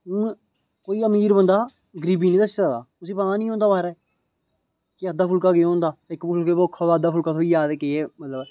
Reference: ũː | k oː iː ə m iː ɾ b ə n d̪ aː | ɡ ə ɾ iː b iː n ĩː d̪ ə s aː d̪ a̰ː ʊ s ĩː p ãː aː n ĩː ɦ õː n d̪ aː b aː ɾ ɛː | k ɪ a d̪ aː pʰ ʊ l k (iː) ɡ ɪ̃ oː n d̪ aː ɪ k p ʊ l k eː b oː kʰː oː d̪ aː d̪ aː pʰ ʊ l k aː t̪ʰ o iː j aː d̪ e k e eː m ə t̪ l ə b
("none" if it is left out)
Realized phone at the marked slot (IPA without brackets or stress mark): aː